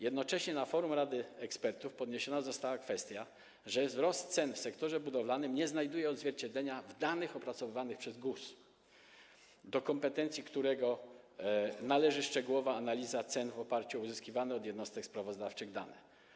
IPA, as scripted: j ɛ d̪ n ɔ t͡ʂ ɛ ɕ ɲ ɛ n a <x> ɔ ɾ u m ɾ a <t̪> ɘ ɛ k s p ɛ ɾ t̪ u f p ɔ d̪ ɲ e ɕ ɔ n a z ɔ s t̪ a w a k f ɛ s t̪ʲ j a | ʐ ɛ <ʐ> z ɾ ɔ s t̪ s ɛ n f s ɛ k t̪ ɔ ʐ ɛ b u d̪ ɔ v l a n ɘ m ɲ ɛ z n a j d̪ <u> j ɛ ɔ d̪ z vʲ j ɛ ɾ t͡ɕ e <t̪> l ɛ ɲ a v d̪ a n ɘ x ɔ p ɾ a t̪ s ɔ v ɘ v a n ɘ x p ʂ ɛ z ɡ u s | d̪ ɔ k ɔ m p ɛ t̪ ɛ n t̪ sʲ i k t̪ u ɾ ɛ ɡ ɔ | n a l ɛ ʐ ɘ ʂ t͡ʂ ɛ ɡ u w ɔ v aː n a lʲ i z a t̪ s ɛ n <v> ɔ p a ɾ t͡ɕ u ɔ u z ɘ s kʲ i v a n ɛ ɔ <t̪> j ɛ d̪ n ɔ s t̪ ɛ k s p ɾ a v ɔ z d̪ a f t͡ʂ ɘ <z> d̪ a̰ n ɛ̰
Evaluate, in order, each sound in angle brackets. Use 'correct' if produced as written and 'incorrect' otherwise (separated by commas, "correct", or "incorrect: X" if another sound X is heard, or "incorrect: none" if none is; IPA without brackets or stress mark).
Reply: incorrect: f, incorrect: d̪, incorrect: v, correct, incorrect: d̪, correct, incorrect: d̪, incorrect: ɣ